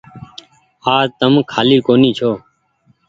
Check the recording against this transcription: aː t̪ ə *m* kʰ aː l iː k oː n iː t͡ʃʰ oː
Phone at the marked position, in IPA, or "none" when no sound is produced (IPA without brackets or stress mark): m